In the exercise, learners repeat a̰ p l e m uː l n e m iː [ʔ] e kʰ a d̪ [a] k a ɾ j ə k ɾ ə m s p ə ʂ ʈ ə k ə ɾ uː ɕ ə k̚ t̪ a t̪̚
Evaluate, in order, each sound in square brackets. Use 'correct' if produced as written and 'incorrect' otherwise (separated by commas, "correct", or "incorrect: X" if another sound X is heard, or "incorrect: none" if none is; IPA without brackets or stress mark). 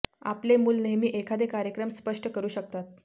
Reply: correct, incorrect: e